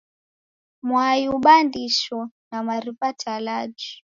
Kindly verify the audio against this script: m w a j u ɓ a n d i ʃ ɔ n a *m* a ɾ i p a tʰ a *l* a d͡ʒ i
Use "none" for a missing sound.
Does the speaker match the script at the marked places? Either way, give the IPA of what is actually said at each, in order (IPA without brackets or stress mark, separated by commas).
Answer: m, l